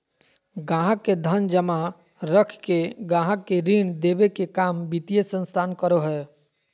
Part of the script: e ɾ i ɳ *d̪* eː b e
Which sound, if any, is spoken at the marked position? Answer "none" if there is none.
d̪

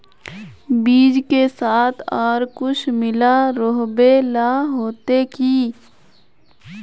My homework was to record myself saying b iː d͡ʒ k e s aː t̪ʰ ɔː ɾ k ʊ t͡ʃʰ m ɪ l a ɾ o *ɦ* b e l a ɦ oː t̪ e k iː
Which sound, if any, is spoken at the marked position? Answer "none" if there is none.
ɦ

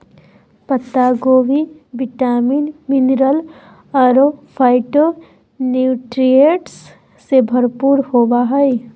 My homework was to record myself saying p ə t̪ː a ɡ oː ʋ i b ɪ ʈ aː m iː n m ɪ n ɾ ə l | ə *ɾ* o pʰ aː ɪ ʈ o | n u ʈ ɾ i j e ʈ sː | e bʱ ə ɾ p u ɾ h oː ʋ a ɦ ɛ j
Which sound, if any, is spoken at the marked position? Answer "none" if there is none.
ɾ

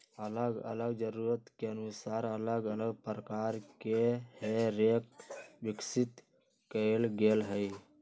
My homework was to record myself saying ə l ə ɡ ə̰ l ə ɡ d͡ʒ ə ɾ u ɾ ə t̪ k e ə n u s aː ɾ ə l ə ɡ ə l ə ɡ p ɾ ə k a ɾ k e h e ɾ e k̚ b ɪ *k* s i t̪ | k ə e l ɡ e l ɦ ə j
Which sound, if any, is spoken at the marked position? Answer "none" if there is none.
k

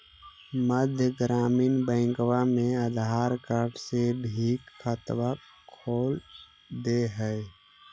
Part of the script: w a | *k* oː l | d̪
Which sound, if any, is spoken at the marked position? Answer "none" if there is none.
kʰ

